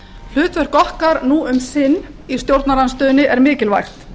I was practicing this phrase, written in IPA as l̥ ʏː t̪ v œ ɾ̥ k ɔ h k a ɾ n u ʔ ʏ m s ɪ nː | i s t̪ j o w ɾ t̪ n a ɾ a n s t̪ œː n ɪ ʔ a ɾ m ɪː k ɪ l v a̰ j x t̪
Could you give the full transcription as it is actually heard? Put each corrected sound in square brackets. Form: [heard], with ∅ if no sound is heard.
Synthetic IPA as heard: l̥ ʏː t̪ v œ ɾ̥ k ɔ h k a ɾ n u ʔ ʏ m s ɪ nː | i s t̪ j o w ɾ t̪ n a ɾ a n s t̪ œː n ɪ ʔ [ɛ] ɾ m ɪː [c] ɪ l v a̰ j x t̪